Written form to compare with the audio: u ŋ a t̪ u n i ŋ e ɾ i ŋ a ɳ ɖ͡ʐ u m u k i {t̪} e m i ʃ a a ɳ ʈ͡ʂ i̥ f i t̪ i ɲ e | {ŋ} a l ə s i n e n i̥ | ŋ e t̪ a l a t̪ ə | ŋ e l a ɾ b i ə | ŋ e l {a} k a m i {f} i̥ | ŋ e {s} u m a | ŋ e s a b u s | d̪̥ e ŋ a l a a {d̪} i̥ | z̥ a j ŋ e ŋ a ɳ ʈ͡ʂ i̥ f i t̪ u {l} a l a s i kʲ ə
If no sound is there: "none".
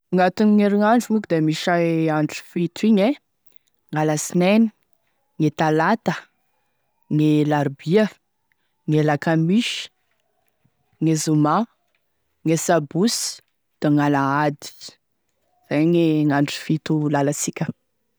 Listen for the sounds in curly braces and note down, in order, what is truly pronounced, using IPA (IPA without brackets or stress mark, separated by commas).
d̪, ŋ, a, ʃ, z, d̪, l